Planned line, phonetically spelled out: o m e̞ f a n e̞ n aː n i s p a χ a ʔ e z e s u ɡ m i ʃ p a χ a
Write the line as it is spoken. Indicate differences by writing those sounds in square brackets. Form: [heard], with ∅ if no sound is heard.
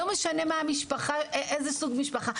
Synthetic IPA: o m e̞ [ʃ] a n e̞ [m] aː [m] i [ʃ] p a χ a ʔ e z e s u ɡ m i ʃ p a χ a